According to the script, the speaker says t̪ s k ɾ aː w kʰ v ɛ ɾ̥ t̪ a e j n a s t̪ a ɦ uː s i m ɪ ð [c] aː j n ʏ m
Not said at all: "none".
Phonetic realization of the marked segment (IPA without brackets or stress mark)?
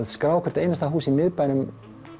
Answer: p